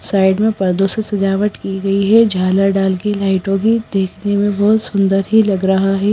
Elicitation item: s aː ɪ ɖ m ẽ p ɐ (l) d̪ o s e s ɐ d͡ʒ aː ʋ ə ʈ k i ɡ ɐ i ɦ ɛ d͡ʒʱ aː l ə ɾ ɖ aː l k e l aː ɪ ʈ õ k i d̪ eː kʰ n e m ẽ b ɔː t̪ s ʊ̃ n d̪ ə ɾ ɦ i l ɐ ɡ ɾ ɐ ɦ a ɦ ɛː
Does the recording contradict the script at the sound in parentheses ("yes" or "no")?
yes